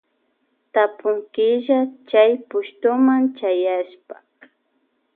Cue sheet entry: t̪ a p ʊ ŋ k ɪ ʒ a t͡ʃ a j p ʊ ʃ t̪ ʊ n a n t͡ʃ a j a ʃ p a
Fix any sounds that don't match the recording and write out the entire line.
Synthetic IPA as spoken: t̪ a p ʊ ŋ k ɪ ʒ a t͡ʃ a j p ʊ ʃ t̪ ʊ m a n t͡ʃ a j a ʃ p a